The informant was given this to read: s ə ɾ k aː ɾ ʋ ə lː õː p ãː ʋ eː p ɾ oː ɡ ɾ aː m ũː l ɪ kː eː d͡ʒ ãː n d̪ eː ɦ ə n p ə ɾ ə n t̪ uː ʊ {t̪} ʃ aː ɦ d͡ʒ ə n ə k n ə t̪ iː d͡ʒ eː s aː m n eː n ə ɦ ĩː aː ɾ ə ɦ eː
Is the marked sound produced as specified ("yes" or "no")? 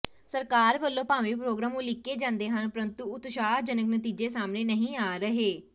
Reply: yes